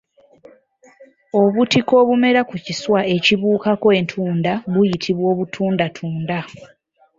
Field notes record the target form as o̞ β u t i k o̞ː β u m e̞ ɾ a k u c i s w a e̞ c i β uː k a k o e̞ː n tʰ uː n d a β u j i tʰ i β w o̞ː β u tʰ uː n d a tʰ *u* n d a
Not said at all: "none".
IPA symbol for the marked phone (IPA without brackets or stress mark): uː